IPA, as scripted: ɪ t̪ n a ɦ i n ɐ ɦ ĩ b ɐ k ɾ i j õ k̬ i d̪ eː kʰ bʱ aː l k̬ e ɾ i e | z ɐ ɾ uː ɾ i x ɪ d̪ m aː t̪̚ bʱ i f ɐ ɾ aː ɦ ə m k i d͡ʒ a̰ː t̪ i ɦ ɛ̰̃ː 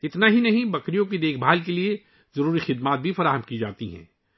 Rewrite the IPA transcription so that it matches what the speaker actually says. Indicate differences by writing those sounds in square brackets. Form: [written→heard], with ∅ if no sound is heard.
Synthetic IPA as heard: ɪ t̪ n a ɦ i n ɐ ɦ ĩ b ɐ k ɾ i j õ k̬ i d̪ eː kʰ bʱ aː l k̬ e [ɾ→l] i e | z ɐ ɾ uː ɾ i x ɪ d̪ m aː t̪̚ bʱ i f ɐ ɾ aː ɦ ə m k i d͡ʒ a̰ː t̪ i ɦ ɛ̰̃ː